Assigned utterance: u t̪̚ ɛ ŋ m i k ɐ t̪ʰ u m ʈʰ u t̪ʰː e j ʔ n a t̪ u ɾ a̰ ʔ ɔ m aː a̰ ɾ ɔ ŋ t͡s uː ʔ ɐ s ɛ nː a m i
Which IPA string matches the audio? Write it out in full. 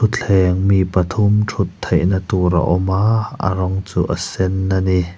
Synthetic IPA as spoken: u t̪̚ ɛ ŋ m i p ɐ t̪ʰ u m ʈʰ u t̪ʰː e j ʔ n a t̪ u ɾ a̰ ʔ ɔ m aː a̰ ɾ ɔ ŋ t͡s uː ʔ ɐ s ɛ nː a n i